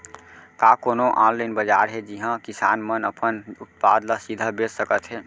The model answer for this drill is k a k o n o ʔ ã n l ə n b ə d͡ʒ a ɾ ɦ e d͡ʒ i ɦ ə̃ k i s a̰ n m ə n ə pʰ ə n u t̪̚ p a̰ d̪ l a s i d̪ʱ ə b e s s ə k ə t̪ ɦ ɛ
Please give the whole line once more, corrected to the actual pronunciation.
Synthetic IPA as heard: k a k o n o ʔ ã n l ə n b ə d͡ʒ a ɾ ɦ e d͡ʒ i ɦ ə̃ k i s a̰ n m ə n ə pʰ ə n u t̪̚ p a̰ d̪ l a s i d̪ʱ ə b e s s ə k ə t̪ ɦ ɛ